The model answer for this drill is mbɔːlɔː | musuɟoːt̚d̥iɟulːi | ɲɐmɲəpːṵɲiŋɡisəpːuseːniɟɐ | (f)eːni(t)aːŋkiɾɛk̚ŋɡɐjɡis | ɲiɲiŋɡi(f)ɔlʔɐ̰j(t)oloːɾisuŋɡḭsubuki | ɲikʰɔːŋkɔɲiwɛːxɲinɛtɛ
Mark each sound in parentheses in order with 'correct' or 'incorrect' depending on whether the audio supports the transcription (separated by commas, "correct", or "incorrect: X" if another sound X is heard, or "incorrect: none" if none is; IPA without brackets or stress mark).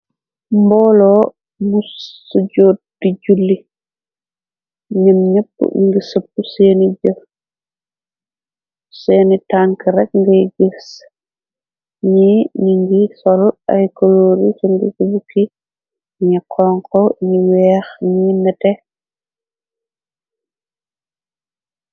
incorrect: s, correct, incorrect: s, incorrect: k